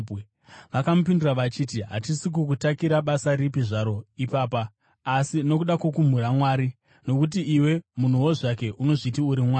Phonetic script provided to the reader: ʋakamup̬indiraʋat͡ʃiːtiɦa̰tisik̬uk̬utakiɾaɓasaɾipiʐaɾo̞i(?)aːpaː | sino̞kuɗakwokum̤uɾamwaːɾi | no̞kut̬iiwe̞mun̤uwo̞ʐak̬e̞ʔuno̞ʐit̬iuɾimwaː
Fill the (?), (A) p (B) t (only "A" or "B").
A